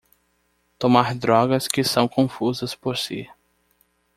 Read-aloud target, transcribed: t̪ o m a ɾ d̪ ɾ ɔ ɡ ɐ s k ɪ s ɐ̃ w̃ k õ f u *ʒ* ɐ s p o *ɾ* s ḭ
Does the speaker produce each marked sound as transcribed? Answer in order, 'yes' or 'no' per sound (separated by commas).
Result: no, yes